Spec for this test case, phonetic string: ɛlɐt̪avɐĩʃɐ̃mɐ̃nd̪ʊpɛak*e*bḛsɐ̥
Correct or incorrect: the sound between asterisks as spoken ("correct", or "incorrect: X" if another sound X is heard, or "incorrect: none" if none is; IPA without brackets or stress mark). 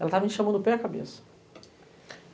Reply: incorrect: a